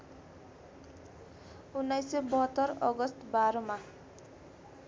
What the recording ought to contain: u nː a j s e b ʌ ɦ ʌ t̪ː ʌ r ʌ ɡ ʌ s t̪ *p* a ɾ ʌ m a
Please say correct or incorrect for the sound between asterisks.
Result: incorrect